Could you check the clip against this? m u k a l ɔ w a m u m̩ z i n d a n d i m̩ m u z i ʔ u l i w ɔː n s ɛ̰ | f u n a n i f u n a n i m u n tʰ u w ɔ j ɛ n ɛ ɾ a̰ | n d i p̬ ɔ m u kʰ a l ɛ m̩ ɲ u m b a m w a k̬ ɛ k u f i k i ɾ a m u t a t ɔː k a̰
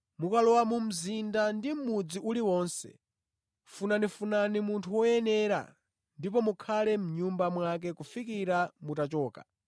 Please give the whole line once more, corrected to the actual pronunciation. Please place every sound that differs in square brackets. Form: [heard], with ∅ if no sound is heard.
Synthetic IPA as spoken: m u k a l ɔ w a m u m̩ z i n d a n d i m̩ m u [d͡z] i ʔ u l i w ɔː n s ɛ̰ | f u n a n i f u n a n i m u n tʰ u w ɔ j ɛ n ɛ ɾ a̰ | n d i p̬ ɔ m u kʰ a l ɛ m̩ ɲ u m b a m w a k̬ ɛ k u f i k i ɾ a m u t a [t͡ʃ] ɔː k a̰